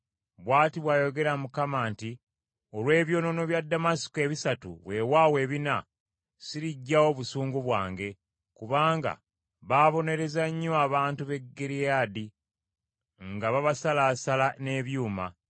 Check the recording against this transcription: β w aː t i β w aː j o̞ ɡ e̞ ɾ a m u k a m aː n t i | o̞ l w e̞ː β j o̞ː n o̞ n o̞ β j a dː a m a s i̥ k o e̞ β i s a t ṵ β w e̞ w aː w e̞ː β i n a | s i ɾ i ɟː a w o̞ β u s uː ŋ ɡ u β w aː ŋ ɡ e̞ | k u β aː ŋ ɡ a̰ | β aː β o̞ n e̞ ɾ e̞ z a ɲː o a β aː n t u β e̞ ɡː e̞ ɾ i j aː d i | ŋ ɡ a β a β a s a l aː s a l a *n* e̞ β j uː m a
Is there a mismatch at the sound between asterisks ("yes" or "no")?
no